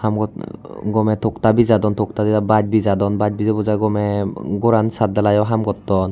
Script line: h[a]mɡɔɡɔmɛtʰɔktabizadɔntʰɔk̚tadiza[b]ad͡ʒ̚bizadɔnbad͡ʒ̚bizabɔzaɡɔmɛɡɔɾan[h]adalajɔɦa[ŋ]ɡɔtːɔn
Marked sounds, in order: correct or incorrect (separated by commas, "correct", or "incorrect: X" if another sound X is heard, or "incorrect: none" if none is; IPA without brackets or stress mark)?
correct, correct, incorrect: s, incorrect: m